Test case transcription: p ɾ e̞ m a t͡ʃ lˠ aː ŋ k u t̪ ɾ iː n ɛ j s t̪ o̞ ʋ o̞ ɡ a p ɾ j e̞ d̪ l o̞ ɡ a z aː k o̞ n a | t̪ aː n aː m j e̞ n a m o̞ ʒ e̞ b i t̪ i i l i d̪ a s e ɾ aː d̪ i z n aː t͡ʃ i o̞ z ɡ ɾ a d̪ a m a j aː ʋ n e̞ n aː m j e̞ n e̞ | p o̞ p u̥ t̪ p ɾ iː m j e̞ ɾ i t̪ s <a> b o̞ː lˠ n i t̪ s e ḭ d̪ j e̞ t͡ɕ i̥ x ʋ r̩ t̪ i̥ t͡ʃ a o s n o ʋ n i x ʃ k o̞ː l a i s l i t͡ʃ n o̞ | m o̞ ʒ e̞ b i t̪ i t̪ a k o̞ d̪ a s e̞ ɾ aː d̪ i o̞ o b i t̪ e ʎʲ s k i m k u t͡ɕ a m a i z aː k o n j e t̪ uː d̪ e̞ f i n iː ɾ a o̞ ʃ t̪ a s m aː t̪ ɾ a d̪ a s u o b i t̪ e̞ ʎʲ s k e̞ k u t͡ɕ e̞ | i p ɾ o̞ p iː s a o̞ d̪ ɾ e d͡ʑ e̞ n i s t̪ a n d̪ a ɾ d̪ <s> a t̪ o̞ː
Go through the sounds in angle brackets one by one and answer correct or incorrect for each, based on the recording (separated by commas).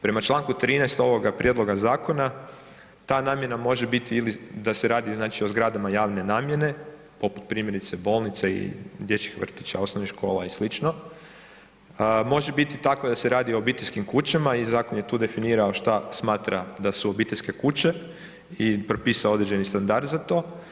incorrect, incorrect